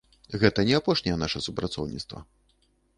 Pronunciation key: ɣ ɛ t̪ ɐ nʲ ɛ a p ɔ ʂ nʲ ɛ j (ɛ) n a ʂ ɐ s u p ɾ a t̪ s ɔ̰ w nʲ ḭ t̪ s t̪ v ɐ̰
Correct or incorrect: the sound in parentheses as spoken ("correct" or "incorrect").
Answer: correct